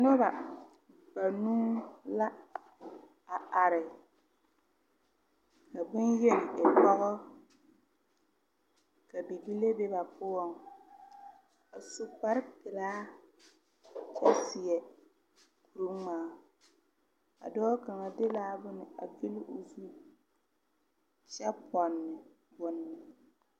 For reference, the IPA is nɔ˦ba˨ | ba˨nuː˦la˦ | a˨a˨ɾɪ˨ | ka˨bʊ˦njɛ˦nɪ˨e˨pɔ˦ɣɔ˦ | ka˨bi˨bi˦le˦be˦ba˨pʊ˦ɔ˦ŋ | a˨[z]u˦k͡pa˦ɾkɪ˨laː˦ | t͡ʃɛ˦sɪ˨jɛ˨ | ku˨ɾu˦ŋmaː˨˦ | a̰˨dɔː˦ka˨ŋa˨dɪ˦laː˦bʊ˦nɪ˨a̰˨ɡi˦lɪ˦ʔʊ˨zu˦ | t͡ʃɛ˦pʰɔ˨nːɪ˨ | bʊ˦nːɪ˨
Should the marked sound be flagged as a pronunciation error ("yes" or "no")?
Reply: yes